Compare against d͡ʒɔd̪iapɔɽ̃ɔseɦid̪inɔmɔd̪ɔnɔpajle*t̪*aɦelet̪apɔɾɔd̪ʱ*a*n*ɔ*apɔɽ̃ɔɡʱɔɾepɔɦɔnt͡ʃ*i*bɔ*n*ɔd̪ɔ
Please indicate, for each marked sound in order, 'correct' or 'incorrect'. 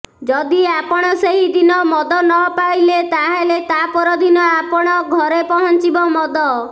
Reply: correct, incorrect, correct, correct, incorrect

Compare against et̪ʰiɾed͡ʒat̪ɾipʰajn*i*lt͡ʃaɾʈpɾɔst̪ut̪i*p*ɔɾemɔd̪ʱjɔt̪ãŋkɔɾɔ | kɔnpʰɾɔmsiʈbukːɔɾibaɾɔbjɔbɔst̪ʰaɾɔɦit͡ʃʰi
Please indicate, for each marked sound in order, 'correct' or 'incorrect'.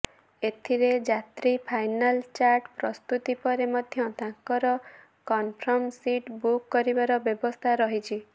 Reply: incorrect, correct

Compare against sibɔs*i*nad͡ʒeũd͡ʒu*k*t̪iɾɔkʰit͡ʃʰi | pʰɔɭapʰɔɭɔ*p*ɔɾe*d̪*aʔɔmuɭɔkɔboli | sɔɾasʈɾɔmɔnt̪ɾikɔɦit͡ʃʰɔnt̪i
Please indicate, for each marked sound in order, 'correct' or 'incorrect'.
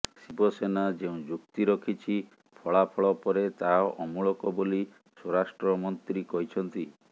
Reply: incorrect, correct, correct, incorrect

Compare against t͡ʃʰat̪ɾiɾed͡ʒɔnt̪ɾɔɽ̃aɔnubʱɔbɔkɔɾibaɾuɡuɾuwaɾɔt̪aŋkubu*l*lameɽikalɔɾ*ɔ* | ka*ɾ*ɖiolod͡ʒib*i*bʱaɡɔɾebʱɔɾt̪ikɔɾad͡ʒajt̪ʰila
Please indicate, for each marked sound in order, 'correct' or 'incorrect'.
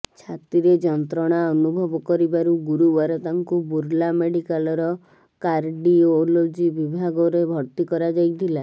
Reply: incorrect, correct, correct, correct

